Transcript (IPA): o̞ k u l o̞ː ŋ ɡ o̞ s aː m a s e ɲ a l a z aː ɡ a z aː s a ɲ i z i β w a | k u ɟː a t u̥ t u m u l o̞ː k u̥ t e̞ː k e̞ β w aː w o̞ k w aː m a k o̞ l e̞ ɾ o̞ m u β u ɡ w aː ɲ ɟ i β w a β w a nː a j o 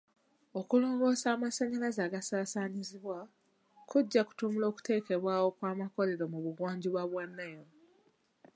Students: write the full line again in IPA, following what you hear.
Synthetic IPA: o̞ k u l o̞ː ŋ ɡ o̞ s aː m a s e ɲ a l a z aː ɡ a s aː s a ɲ i z i β w a | k u ɟː a k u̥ t u m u l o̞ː k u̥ t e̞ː k e̞ β w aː w o̞ k w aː m a k o̞ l e̞ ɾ o̞ m u β u ɡ w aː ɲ ɟ i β w a β w a nː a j o